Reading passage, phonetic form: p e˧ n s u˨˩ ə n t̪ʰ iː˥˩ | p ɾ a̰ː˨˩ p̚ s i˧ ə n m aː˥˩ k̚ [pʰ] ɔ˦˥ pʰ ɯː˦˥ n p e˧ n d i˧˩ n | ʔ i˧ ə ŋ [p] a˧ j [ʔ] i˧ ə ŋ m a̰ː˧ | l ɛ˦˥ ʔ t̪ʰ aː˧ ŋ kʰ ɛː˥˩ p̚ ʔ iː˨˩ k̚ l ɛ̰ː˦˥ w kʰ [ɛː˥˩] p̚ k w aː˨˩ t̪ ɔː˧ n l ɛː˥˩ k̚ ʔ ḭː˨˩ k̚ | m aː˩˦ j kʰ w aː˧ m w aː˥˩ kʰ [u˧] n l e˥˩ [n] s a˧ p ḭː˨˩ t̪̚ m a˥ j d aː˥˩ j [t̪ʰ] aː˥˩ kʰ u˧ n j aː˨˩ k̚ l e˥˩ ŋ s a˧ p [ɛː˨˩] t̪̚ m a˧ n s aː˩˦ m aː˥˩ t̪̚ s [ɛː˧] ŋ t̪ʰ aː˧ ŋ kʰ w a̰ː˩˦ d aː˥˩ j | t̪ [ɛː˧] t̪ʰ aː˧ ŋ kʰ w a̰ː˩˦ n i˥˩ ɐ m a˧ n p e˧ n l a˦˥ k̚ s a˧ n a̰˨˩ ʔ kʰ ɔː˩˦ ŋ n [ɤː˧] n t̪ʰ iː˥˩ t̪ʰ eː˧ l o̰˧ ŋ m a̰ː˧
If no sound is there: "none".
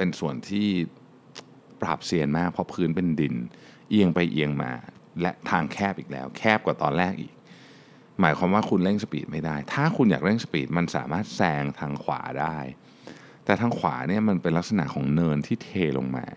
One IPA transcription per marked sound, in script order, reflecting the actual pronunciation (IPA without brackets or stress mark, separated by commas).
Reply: pʰ, p, ʔ, ɛː˥˩, u˧, ŋ, t̪ʰ, iː˨˩, ɛː˧, ɛː˨˩, ɤː˧